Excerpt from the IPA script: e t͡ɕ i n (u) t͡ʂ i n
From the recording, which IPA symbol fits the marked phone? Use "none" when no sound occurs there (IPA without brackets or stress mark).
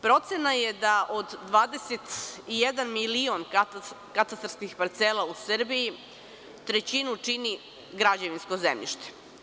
u